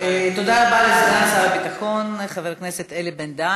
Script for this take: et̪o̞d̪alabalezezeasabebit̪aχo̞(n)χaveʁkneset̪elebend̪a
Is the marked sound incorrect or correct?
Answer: correct